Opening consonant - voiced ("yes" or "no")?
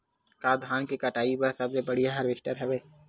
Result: no